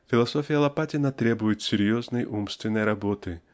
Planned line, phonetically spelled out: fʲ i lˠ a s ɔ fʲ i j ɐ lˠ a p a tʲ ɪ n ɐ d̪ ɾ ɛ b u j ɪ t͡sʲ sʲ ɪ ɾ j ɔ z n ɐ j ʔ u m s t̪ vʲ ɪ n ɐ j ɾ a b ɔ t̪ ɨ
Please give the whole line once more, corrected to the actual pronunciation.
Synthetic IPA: fʲ i lˠ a s ɔ fʲ i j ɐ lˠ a p a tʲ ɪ n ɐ t̪ ɾ ɛ b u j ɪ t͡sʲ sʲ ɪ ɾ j ɔ z n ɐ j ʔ u m s t̪ vʲ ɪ n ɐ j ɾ a b ɔ t̪ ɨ